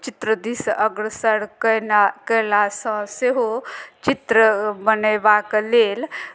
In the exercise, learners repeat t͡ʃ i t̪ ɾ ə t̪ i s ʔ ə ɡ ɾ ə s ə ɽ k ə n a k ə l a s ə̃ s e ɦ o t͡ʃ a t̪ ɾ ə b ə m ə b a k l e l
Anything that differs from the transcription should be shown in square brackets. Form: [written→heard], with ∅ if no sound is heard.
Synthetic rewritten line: t͡ʃ i t̪ ɾ ə [t̪→d̪] i s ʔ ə ɡ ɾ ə s ə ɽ k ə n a k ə l a s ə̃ s e ɦ o t͡ʃ [a→i] t̪ ɾ ə b ə [m→n] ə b a k l e l